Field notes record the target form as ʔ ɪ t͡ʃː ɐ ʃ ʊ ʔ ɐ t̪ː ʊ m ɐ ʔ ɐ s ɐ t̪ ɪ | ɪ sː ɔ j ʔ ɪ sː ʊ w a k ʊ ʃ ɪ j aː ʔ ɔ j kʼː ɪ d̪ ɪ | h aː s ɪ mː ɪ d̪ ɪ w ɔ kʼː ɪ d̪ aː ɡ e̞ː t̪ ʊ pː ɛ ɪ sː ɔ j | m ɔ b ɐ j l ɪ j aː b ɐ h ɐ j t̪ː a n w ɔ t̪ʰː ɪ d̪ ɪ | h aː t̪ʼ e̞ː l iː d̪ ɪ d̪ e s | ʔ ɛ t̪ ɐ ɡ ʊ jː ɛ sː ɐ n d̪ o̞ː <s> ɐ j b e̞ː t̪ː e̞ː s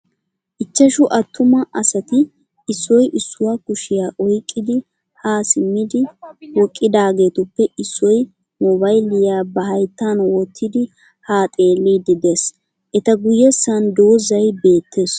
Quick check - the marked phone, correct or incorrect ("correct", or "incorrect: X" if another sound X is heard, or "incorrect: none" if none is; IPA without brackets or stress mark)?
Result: incorrect: z